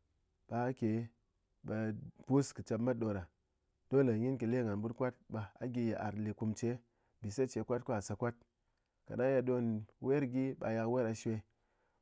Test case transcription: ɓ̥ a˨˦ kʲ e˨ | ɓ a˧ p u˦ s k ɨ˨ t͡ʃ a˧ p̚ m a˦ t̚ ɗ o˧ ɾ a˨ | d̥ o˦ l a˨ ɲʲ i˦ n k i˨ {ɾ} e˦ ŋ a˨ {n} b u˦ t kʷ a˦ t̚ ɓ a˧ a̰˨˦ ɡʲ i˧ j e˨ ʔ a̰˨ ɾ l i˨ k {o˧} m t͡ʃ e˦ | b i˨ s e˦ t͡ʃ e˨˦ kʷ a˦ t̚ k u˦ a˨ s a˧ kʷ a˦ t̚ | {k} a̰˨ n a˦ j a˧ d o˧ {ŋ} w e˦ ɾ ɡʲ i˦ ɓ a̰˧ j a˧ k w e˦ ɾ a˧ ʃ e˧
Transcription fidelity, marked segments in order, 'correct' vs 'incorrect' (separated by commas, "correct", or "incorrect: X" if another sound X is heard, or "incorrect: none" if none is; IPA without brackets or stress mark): incorrect: l, correct, incorrect: u˧, correct, incorrect: n